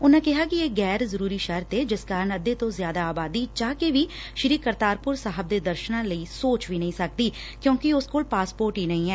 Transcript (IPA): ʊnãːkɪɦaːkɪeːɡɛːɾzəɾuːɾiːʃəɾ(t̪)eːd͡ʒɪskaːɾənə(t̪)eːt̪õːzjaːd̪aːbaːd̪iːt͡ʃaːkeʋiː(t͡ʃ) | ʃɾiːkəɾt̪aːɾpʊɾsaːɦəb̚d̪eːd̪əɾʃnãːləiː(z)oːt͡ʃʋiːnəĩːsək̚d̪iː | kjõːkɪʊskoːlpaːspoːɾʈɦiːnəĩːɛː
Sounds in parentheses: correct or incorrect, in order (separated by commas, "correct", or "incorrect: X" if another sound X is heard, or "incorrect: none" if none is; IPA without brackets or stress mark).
correct, incorrect: d̪, incorrect: none, incorrect: s